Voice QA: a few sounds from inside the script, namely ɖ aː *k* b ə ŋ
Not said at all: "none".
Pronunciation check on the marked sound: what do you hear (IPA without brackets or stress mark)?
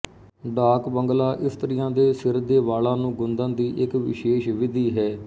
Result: k